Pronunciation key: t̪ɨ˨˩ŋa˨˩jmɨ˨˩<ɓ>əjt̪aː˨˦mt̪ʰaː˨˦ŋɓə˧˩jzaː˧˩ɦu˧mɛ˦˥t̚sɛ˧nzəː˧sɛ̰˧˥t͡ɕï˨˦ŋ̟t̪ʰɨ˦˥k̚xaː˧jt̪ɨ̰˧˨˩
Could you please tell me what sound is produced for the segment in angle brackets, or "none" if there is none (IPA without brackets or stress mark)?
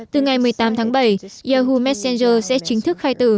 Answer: none